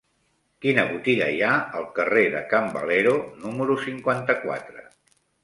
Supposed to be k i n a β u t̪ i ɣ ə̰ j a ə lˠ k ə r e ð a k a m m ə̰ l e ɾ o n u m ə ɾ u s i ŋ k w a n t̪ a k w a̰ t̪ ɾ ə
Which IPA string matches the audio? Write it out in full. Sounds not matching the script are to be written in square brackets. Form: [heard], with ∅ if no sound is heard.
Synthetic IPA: k i n [ə] β u t̪ i ɣ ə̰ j a ə lˠ k ə r e ð [ə] k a m [b] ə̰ l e ɾ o n u m ə ɾ u s i ŋ k w a n t̪ [ə] k w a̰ t̪ ɾ ə